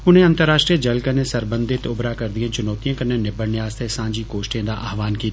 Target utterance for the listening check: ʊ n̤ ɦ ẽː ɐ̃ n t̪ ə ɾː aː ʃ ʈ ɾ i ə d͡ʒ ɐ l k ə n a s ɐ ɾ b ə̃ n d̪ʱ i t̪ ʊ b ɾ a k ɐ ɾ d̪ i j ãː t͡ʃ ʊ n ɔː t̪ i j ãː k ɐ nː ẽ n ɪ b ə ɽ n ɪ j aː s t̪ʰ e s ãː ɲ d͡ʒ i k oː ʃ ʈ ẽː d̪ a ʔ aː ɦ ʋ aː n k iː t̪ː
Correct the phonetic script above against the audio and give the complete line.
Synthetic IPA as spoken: ʊ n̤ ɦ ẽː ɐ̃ n t̪ ə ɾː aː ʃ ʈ ɾ i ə d͡ʒ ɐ l k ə n e s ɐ ɾ b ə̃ n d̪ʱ ɪ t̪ ʊ b ɾ a k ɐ ɾ d̪ i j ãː t͡ʃ ʊ n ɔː t̪ i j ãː k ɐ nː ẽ n ɪ b ə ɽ n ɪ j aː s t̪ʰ e s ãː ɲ d͡ʒ i k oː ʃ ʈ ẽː d̪ a ʔ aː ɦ ʋ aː n k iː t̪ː